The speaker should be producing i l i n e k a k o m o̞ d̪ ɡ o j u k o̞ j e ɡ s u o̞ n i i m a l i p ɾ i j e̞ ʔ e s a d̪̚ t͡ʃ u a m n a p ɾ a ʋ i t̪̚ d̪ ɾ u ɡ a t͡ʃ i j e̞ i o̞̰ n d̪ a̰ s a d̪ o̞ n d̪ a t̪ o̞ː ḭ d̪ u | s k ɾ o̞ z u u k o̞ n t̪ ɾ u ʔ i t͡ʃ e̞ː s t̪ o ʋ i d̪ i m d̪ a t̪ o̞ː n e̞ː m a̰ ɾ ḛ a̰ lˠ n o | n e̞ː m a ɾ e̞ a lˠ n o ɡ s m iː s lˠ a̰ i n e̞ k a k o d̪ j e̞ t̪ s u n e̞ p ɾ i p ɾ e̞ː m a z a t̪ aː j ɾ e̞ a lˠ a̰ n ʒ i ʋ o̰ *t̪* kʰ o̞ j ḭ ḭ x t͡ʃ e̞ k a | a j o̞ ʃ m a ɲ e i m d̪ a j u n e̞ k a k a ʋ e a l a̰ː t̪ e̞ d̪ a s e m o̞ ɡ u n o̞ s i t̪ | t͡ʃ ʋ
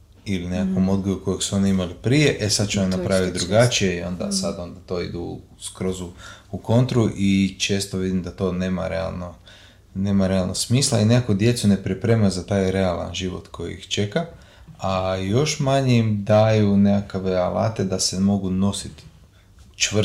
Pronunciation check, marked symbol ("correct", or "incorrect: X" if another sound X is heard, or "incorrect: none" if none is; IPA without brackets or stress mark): correct